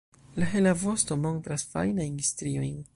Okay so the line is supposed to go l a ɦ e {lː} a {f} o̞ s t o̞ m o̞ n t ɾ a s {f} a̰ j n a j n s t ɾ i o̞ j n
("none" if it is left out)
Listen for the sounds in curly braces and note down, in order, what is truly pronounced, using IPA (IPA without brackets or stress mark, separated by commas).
l, v, f